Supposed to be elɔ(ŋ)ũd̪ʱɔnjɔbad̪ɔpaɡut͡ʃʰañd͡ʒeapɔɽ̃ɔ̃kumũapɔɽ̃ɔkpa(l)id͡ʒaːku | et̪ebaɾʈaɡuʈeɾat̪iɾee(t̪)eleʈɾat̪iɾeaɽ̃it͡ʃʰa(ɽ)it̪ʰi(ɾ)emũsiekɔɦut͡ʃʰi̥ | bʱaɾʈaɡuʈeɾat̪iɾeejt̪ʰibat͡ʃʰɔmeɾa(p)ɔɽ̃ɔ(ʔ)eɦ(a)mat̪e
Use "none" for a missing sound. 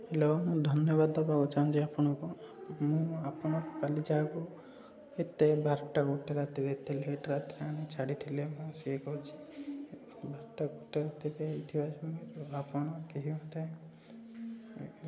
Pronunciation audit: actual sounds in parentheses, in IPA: m, l, t̪, ɽ, l, p, k, i

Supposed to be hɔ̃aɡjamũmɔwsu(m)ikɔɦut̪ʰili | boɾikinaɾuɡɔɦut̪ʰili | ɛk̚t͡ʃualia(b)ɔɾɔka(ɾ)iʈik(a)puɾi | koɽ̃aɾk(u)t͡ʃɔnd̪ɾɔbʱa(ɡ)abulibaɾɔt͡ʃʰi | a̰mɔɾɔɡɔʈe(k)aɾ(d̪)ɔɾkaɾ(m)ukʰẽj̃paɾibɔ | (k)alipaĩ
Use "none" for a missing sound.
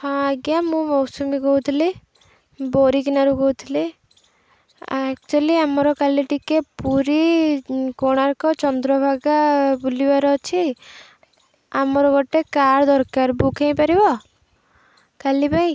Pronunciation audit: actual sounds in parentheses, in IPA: m, m, l, e, ɔ, ɡ, k, d̪, b, k

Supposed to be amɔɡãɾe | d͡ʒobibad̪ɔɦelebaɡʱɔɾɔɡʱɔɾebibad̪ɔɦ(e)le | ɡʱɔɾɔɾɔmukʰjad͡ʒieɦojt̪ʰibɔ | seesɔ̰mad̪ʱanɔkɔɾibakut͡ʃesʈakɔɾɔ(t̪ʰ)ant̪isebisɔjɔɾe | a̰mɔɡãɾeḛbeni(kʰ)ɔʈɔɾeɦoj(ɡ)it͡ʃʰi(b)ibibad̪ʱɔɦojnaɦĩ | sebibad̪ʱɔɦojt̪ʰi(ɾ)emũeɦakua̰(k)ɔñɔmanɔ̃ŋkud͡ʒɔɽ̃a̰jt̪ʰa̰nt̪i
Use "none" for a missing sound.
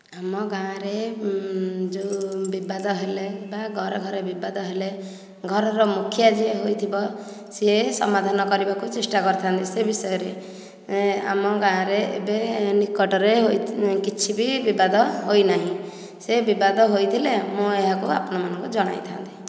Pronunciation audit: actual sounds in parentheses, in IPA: e, t̪ʰ, k, k, b, l, p

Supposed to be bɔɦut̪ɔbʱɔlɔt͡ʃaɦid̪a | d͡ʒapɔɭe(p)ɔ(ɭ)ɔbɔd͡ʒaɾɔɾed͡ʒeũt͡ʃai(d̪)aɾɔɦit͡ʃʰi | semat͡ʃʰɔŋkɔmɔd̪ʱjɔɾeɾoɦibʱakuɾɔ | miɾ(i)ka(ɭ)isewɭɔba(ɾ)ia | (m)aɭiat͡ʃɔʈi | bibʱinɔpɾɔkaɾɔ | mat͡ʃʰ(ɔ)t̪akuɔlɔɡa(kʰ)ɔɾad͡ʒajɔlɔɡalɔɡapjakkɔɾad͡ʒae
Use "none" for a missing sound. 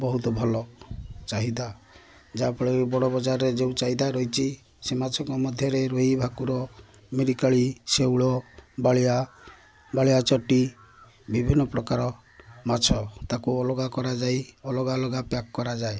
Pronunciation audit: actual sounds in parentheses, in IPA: b, ɽ, d̪, i, ɭ, ɭ, b, ɔ, k

